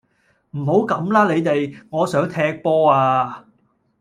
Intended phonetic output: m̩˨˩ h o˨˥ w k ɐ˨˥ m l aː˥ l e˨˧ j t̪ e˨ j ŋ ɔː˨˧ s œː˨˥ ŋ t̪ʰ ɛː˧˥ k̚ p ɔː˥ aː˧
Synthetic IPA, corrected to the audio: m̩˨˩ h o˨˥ w k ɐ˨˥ m l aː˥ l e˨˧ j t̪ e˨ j ŋ ɔː˨˧ s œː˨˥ ŋ t̪ʰ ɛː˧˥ k̚ p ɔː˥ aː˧